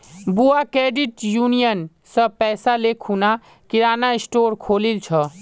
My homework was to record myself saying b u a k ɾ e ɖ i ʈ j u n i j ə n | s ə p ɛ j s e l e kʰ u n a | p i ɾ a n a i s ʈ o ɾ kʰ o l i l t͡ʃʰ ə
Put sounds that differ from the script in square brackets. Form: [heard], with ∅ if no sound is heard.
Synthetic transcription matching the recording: b u a k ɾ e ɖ i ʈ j u n i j ə n | s ə p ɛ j s [a] l e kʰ u n a | [k] i ɾ a n a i s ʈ o ɾ kʰ o l i l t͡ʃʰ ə